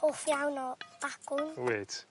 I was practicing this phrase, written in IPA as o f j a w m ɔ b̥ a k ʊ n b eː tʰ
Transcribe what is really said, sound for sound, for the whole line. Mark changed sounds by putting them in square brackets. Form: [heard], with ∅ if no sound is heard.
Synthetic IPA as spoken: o f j a w [n] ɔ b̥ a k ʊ n [w] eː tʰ